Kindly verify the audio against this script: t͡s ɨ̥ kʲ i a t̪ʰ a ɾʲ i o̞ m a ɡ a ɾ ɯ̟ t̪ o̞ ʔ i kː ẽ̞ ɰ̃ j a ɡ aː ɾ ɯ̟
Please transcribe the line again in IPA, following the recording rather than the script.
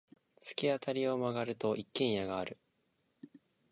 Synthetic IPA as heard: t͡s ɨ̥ kʲ i a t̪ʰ a ɾʲ i o̞ m a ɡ a ɾ ɯ̟ t̪ o̞ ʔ i kː ẽ̞ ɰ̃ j a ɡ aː ɾ ɯ̟